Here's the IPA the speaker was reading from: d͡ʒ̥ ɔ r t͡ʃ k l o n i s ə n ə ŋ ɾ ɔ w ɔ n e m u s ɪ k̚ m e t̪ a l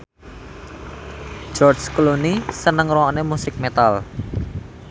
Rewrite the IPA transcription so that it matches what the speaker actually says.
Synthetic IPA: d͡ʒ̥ ɔ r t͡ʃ k l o n i s ə n ə ŋ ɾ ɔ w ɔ n e m u s ɪ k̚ m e t̪ a l